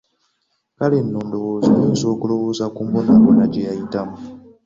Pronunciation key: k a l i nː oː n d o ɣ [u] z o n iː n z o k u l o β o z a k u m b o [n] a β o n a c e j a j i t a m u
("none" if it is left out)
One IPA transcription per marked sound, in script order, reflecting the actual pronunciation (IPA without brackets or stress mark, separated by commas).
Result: o, n